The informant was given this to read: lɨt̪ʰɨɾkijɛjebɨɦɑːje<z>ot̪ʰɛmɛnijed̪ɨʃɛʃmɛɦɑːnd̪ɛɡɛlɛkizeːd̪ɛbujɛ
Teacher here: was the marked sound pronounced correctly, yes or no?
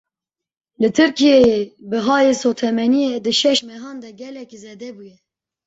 no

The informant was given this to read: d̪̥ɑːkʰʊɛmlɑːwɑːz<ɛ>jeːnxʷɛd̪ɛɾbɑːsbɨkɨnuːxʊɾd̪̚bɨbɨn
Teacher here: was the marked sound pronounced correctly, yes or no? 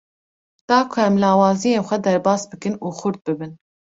no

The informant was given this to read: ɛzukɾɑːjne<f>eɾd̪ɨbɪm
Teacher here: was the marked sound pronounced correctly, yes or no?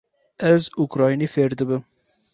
yes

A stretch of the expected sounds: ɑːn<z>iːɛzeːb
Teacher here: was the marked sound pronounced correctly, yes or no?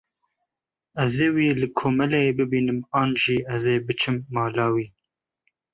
no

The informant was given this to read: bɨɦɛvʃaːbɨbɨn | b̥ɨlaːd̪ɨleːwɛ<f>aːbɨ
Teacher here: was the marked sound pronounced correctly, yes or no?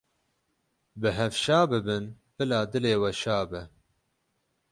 no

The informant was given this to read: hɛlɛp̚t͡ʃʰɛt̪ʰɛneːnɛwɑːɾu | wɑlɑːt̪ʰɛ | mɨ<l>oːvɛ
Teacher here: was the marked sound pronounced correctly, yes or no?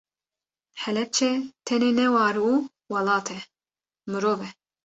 no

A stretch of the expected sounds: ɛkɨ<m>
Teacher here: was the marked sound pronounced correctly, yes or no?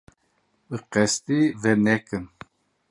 no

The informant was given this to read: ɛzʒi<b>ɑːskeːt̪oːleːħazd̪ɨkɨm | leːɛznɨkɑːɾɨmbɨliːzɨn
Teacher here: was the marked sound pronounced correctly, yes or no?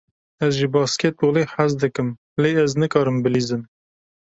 yes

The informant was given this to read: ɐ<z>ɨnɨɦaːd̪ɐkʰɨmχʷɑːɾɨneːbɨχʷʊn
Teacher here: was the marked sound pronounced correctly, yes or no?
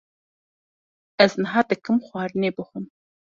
yes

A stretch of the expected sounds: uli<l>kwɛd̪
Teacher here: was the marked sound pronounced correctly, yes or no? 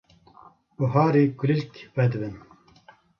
yes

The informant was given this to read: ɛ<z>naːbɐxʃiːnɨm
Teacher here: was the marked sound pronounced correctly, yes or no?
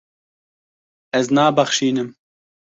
yes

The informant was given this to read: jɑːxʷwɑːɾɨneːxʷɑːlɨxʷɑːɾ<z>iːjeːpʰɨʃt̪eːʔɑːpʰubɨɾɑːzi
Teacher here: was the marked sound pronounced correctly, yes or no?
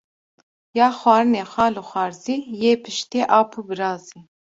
yes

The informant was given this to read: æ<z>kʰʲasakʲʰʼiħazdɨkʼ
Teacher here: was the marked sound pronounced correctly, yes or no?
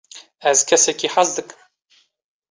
yes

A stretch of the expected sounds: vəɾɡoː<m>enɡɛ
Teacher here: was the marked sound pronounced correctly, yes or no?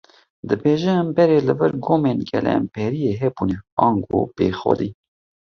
yes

